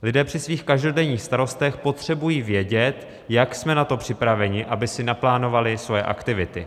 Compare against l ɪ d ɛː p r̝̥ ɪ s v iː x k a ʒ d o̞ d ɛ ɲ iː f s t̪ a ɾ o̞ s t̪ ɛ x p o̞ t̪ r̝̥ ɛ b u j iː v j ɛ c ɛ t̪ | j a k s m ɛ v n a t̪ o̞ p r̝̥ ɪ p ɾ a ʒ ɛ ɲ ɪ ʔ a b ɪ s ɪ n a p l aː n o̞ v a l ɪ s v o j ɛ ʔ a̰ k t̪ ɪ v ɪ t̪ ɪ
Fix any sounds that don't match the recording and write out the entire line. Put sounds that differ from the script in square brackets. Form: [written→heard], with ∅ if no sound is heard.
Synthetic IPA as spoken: l ɪ d ɛː p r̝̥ ɪ s v iː x k a ʒ d o̞ d ɛ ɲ iː [f→x] s t̪ a ɾ o̞ s t̪ ɛ x p o̞ t̪ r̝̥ ɛ b u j iː v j ɛ [c→ɟ] ɛ t̪ | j a k s m ɛ [v→∅] n a t̪ o̞ p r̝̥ ɪ p ɾ a [ʒ→v] ɛ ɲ ɪ ʔ a b ɪ s ɪ n a p l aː n o̞ v a l ɪ s v o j ɛ ʔ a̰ k t̪ ɪ v ɪ t̪ ɪ